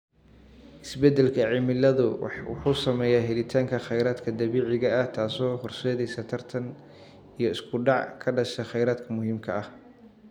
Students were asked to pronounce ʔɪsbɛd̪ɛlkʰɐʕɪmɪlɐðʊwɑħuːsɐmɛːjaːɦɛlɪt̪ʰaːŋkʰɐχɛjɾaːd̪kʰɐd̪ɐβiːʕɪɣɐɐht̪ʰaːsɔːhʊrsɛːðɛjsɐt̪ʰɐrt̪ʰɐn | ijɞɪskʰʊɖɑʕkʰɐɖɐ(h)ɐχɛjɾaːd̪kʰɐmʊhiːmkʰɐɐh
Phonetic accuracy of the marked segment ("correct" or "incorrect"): incorrect